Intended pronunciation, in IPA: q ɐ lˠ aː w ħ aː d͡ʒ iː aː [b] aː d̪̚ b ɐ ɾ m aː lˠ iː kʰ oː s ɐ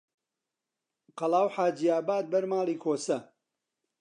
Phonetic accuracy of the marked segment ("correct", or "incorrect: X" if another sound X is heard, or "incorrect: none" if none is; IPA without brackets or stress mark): correct